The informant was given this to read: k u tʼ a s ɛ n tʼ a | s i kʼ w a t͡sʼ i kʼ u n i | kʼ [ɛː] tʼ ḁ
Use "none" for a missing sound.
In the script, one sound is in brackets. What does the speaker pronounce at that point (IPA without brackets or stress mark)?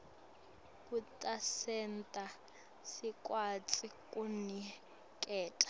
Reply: ɛː